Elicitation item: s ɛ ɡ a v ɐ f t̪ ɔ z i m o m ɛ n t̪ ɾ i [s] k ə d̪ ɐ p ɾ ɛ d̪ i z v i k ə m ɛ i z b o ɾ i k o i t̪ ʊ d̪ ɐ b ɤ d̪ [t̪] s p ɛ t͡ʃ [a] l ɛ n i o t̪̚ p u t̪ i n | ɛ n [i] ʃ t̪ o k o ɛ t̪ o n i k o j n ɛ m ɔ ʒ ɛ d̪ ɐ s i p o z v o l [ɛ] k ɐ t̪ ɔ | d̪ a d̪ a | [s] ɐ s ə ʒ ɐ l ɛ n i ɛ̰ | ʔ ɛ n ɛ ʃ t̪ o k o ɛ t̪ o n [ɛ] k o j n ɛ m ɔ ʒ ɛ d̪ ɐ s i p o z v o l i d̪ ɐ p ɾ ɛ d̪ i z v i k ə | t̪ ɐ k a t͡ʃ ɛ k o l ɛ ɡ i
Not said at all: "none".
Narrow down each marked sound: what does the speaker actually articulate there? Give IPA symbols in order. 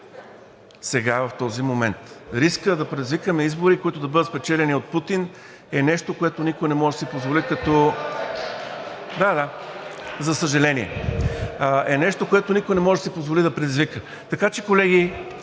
s, t̪, ɛ, ɛ, i, z, i

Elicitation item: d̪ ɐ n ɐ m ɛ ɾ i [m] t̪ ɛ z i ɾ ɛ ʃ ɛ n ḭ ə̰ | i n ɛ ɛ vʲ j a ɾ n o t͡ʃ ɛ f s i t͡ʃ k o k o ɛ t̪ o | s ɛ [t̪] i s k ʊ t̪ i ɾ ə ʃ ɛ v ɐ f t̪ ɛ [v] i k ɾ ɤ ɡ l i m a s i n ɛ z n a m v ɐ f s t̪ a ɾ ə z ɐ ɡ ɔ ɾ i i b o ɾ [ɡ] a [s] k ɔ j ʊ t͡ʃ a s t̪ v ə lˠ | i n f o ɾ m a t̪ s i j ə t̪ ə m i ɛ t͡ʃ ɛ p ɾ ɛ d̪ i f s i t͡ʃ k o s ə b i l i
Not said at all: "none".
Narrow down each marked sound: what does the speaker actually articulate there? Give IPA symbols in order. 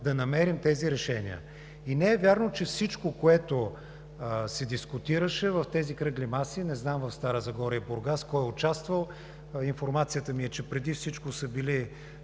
m, d̪, z, ɡ, s

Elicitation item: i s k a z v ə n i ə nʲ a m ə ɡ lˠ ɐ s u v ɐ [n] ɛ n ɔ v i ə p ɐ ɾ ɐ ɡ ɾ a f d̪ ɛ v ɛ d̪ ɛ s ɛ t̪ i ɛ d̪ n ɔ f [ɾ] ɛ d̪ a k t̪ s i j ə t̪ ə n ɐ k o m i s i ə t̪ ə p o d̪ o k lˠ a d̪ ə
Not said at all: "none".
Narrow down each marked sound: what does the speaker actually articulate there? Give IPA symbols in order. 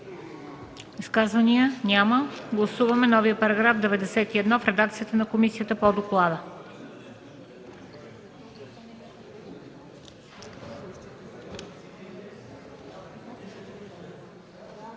m, ɾ

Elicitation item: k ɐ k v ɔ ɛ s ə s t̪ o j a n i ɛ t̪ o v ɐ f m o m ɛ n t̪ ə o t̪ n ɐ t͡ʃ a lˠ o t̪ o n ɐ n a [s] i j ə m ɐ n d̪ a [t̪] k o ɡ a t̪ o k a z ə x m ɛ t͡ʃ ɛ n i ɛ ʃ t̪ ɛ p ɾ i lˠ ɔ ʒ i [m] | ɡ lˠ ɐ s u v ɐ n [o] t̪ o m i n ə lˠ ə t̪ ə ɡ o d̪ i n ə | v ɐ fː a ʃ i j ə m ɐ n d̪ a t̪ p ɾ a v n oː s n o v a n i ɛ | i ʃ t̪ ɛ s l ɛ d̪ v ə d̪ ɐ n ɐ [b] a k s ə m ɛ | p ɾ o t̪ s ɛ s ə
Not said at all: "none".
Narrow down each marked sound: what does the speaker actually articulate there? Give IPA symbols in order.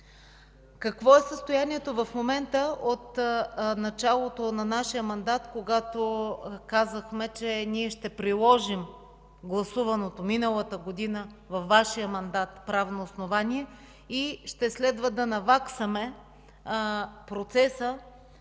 ʃ, t̪, m, o, v

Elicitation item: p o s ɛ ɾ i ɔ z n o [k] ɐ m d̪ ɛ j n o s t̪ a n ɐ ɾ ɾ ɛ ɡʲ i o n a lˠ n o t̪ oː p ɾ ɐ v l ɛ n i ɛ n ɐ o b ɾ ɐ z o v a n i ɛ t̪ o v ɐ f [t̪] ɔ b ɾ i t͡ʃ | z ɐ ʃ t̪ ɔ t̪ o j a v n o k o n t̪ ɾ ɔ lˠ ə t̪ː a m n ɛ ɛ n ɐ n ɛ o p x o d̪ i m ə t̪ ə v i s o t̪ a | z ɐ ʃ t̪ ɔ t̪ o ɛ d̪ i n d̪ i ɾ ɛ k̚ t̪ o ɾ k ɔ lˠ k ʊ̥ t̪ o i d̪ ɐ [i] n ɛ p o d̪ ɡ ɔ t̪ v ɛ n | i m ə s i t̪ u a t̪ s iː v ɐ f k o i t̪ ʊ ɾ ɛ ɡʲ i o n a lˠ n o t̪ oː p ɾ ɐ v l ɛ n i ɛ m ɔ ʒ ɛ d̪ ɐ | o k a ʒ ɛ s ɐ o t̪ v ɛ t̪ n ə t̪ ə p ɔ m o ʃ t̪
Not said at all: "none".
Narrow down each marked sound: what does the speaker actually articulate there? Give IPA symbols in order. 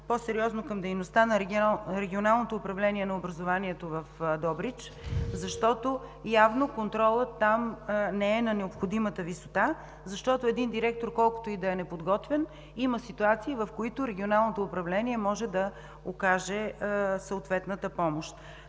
k, d̪, ɛ

